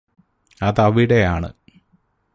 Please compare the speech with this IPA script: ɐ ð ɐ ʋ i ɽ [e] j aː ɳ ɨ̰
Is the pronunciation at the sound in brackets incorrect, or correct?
correct